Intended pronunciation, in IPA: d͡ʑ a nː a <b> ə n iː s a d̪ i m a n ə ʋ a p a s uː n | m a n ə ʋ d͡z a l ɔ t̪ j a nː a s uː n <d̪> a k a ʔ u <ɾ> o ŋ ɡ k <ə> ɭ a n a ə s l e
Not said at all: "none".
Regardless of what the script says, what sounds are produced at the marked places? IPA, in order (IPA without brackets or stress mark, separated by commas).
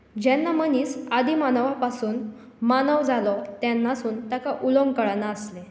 m, t̪, l, ə